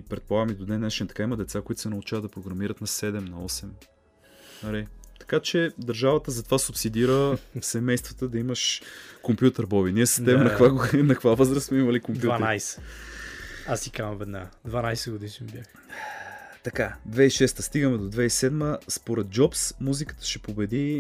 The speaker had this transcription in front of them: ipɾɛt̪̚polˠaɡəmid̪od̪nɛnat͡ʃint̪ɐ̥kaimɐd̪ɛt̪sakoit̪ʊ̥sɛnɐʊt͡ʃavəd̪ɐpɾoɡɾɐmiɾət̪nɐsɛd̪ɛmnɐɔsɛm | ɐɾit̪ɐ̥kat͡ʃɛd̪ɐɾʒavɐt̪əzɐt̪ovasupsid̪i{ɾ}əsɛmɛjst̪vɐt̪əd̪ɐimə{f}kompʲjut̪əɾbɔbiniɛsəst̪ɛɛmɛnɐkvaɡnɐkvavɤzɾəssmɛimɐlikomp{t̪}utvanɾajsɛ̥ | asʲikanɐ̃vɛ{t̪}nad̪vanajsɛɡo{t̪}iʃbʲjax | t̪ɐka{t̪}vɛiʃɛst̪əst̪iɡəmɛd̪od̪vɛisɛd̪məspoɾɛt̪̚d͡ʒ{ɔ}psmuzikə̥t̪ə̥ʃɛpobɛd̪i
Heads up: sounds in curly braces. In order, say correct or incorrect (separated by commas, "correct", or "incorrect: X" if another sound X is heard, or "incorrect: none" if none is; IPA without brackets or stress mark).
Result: correct, incorrect: ʃ, incorrect: d̪, incorrect: d̪, incorrect: d̪, incorrect: d̪, correct